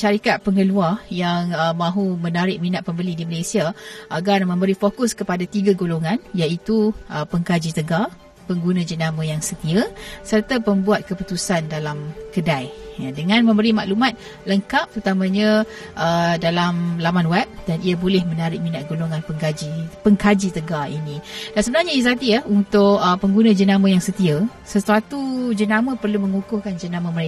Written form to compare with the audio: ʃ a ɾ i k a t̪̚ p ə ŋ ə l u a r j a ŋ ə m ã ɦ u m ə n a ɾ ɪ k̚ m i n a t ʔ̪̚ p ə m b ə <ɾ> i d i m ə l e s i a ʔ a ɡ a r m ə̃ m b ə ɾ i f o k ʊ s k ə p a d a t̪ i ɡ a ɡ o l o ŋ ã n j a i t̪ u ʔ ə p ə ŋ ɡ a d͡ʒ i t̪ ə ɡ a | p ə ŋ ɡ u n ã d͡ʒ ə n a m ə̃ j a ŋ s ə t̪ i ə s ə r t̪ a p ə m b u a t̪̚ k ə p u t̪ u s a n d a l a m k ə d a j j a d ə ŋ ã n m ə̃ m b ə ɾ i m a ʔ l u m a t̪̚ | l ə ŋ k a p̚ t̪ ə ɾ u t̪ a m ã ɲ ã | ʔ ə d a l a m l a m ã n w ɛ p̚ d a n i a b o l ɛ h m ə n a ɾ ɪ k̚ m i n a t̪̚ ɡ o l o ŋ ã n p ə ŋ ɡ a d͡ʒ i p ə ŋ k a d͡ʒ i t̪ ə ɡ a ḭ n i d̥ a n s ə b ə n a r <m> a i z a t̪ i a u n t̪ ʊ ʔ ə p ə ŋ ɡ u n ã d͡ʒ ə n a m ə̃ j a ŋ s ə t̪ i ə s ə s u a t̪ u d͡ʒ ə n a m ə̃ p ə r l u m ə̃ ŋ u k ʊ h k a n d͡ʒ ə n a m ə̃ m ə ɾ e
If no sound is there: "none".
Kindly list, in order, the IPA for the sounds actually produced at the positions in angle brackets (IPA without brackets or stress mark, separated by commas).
l, ɲ